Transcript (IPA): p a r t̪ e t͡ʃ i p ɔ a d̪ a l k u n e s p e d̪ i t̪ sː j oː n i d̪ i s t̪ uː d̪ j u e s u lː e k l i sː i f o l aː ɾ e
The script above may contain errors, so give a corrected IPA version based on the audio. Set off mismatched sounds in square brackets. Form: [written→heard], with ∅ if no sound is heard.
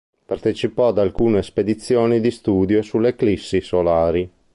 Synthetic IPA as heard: p a r t̪ e t͡ʃ i p ɔ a d̪ a l k [u→uː] n e s p e d̪ i t̪ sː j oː n i d̪ i s t̪ uː d̪ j [u→o] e s u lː e k l i sː i [f→s] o l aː ɾ [e→i]